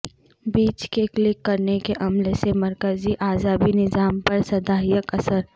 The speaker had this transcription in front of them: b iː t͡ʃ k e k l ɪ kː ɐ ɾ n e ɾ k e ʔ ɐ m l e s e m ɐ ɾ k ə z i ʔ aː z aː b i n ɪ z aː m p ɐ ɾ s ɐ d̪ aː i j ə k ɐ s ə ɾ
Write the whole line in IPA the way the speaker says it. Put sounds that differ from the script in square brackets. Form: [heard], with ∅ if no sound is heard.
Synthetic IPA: b iː t͡ʃ k e k l ɪ kː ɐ ɾ n e [∅] k e ʔ ɐ m l e s e m ɐ ɾ k ə z i ʔ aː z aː b i n ɪ z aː m p ɐ ɾ s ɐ d̪ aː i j ə k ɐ s ə ɾ